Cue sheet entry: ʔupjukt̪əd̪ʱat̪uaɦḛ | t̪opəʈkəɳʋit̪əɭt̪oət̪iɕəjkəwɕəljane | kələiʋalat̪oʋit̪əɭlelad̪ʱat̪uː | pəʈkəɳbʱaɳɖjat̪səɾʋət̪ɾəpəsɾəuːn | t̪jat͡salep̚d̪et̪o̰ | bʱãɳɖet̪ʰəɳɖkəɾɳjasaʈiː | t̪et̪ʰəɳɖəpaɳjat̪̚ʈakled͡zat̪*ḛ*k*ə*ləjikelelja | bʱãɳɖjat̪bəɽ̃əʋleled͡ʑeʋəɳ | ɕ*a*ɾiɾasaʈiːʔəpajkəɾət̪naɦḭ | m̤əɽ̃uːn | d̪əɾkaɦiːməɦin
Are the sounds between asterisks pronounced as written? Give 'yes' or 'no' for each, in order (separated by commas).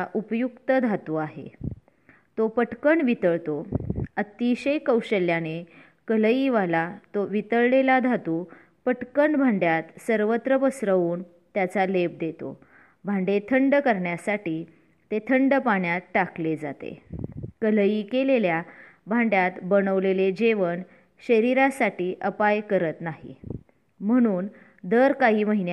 yes, yes, no